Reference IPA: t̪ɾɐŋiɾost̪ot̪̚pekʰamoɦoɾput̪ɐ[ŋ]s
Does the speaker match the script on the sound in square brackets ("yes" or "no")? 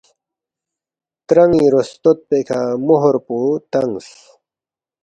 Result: yes